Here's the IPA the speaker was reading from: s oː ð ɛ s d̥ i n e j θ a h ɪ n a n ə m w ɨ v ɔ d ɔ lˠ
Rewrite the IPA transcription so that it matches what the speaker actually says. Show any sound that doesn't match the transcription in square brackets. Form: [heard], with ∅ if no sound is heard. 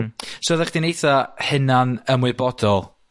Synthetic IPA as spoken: s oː ð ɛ [χ] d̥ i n e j θ a h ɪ n a n ə m w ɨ [b] ɔ d ɔ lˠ